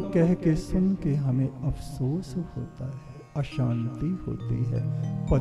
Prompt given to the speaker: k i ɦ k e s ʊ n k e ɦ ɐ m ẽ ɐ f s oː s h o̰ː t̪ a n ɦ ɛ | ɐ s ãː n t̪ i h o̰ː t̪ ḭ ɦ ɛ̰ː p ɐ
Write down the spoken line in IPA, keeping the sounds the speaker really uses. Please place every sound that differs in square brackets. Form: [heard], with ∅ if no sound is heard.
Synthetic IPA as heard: k [ɛ] ɦ k e s ʊ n k e ɦ ɐ m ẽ ɐ f s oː s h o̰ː t̪ a [∅] ɦ ɛ | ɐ [ʃ] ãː n t̪ i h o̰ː t̪ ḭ ɦ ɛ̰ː p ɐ